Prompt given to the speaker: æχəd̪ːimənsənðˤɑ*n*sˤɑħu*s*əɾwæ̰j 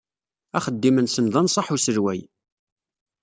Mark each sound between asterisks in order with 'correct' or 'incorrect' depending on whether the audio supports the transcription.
correct, correct

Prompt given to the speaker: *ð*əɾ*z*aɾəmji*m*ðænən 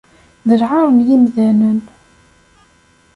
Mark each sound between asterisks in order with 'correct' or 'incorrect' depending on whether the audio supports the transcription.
correct, incorrect: ʕ, correct

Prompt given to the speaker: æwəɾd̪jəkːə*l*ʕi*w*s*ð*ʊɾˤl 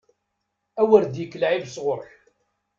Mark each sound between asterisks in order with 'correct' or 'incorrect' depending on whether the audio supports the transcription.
correct, incorrect: v, incorrect: ʁ

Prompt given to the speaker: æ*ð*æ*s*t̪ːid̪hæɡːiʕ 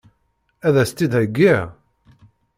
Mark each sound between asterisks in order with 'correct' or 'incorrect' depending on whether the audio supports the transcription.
correct, correct

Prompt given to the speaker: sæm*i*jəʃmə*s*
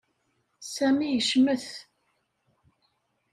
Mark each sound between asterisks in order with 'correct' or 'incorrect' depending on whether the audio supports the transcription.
correct, incorrect: θ

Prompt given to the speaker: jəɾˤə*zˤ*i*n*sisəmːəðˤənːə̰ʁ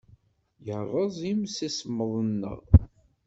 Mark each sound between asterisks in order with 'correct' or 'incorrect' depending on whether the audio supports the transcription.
correct, incorrect: m

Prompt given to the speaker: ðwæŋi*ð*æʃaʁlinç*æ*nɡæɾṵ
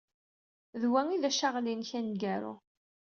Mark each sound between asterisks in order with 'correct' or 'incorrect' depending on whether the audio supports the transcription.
correct, correct

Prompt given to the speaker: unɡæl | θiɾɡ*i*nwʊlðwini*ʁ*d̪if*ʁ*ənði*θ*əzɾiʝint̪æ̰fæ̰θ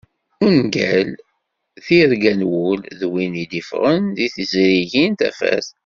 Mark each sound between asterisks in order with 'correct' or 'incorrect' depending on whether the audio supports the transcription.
incorrect: æ, incorrect: none, correct, correct

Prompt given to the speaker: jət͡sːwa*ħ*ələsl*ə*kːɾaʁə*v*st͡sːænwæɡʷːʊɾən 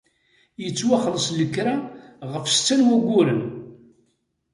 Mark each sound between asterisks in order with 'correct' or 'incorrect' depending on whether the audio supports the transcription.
incorrect: χ, correct, incorrect: f

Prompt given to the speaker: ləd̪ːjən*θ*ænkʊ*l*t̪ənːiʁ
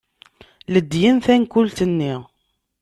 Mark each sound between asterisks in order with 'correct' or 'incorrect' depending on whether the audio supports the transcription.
correct, correct

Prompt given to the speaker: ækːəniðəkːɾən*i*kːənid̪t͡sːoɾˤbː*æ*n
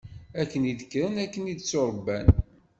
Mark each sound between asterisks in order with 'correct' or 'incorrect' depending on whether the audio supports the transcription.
incorrect: æ, correct

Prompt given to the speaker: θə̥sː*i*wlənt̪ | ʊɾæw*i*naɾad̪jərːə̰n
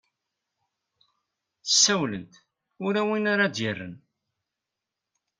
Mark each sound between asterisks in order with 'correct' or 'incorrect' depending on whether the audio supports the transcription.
incorrect: æ, correct

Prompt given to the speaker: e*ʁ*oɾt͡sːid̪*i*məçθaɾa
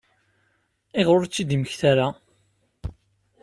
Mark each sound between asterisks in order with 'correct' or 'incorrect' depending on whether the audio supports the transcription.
correct, correct

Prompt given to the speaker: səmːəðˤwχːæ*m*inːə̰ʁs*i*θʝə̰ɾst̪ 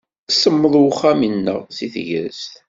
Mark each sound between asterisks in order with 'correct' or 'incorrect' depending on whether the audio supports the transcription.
correct, correct

